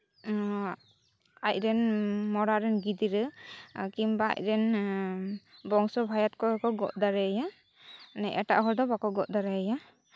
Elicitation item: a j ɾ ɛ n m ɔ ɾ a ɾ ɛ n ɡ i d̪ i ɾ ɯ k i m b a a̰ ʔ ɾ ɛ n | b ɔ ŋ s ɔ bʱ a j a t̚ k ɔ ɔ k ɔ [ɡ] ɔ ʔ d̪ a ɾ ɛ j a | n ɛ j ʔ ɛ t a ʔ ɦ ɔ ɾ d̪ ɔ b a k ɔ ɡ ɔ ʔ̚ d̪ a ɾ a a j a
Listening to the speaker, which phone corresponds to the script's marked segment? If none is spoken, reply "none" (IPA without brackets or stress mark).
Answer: ɡ